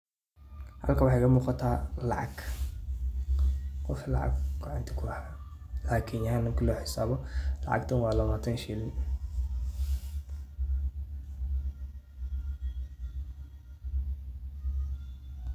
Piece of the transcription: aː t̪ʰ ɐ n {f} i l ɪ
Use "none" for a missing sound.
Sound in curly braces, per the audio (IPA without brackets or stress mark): ʃ